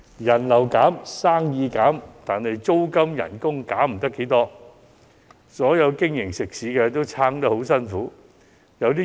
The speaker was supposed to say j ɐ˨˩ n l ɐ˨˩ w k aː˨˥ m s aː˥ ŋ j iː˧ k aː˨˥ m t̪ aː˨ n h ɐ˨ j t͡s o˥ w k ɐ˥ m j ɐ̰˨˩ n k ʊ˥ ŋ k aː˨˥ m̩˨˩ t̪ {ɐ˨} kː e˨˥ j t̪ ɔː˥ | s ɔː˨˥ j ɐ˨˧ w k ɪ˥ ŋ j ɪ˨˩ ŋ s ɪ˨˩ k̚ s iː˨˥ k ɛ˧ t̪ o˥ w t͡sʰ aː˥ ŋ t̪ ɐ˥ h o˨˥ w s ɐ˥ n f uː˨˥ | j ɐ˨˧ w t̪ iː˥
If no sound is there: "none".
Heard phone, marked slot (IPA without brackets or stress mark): ɐ˥